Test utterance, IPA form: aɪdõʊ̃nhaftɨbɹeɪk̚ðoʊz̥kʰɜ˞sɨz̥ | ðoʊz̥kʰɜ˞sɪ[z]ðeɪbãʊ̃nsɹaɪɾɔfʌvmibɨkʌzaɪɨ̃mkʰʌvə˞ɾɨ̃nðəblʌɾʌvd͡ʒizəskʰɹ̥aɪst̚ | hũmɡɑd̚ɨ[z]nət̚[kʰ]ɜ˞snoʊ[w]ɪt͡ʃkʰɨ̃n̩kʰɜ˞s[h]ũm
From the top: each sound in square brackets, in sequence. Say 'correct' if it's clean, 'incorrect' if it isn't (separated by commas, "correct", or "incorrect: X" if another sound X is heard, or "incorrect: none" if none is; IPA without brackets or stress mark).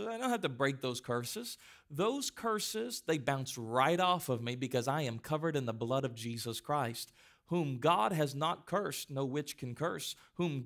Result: correct, correct, correct, correct, correct